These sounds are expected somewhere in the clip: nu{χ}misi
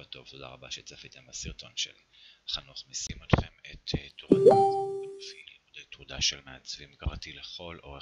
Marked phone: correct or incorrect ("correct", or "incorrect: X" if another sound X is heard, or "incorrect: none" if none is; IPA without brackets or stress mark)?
correct